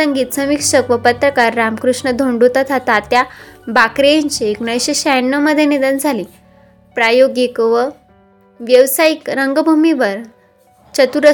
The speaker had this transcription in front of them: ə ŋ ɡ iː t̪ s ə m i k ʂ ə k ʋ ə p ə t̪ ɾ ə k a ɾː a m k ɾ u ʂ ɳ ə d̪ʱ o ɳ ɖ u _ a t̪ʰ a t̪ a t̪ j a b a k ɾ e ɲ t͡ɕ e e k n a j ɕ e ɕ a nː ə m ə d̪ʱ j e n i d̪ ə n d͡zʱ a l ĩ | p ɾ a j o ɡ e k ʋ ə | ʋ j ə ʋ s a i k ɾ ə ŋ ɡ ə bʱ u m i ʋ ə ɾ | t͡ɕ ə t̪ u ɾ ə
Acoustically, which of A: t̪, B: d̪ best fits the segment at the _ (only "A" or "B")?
A